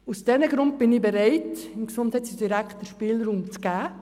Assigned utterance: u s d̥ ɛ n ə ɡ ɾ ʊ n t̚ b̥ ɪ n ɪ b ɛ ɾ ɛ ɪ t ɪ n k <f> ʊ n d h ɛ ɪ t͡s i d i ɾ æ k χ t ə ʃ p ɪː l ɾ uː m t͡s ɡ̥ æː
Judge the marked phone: incorrect: s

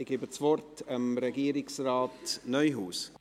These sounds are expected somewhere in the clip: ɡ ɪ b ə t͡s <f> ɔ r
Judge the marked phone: incorrect: v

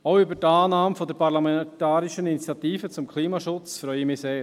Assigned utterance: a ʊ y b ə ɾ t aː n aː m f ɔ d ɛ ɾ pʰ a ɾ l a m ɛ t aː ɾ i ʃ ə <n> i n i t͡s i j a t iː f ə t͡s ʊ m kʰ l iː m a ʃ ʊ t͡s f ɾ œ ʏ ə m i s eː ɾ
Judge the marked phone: correct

